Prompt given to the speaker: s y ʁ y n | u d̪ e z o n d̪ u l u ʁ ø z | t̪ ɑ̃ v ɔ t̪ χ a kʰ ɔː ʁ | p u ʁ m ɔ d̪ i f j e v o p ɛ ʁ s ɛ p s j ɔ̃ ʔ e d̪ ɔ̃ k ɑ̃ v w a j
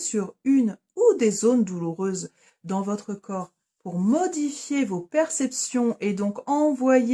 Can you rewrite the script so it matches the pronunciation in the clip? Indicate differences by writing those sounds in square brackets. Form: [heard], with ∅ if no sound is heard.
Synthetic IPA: s y ʁ y n | u d̪ e z o n d̪ u l u ʁ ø z | [d̪] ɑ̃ v ɔ t̪ χ [ə] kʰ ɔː ʁ | p u ʁ m ɔ d̪ i f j e v o p ɛ ʁ s ɛ p s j ɔ̃ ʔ e d̪ ɔ̃ k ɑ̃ v w a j